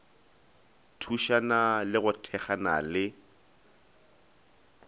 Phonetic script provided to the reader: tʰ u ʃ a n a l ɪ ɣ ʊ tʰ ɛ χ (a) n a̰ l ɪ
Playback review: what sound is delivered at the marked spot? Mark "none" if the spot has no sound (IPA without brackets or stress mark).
a